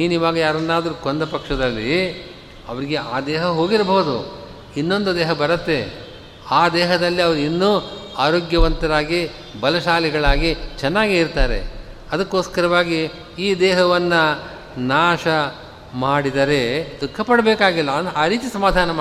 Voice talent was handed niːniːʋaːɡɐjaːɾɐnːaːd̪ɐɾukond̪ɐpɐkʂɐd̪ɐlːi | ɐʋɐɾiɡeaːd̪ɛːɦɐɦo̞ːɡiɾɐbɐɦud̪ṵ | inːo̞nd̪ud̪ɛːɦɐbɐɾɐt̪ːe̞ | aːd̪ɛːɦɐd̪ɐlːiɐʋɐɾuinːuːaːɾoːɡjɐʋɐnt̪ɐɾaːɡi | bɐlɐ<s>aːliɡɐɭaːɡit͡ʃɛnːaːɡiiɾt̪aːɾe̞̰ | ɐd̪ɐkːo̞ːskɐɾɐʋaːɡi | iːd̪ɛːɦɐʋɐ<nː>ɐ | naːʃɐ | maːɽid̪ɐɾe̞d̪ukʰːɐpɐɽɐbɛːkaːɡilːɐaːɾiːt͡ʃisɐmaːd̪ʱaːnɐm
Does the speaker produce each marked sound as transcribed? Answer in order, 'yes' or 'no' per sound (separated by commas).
no, yes